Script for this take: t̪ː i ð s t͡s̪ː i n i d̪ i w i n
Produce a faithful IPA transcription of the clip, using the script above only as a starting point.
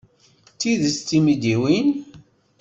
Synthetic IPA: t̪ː i ð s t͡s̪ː i m i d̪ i w i n